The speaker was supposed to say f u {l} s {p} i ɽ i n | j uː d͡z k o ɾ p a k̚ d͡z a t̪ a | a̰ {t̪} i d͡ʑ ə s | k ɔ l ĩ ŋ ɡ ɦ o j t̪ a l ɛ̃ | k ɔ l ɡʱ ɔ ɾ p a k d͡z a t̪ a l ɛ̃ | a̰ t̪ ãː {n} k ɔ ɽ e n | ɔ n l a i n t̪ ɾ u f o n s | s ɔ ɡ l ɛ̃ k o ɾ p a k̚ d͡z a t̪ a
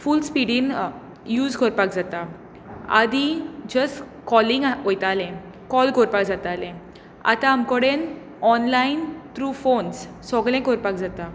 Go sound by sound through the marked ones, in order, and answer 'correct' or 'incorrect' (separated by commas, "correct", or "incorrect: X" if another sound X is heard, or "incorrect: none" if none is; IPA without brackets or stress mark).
correct, correct, incorrect: d̪, incorrect: m